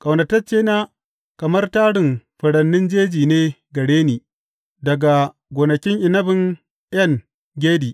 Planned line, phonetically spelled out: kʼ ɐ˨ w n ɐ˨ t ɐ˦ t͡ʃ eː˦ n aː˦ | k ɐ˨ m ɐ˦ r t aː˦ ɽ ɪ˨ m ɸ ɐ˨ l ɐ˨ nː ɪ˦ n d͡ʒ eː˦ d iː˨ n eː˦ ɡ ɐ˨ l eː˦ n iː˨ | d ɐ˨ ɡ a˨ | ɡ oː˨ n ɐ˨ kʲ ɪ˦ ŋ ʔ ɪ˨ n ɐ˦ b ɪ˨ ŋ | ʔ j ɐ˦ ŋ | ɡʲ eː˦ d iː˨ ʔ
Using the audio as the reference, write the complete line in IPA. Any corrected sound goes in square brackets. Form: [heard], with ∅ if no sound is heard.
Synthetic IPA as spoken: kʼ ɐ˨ w n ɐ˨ t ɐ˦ t͡ʃ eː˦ n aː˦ | k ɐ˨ m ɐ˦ r t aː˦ ɽ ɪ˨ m ɸ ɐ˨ [ɽ] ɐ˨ nː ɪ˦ n d͡ʒ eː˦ [d͡ʒ] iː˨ n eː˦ ɡ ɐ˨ [ɽ] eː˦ n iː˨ | d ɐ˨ ɡ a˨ | ɡ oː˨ n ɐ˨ kʲ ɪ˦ ŋ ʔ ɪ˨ n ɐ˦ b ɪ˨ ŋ | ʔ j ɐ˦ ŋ | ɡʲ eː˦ d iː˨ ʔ